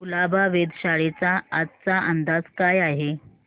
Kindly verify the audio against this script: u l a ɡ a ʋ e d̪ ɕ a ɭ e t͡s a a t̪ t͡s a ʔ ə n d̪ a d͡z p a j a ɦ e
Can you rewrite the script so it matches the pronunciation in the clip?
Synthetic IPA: u l a b a ʋ e d̪ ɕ a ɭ e t͡s a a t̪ t͡s a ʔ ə n d̪ a d͡z k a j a ɦ e